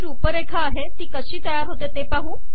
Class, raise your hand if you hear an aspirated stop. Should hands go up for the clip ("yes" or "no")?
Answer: yes